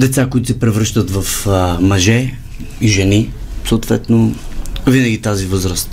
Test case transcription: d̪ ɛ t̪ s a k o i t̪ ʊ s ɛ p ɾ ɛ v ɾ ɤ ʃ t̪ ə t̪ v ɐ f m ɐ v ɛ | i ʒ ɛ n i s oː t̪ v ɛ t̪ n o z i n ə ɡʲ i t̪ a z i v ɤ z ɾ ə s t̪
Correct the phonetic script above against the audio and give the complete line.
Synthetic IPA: d̪ ɛ t̪ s a k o i t̪ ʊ s ɛ p ɾ ɛ v ɾ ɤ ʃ t̪ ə t̪ v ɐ f m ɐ ʒ ɛ | i ʒ ɛ n i s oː t̪ v ɛ t̪ n o v i n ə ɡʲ i t̪ a z i v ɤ z ɾ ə s t̪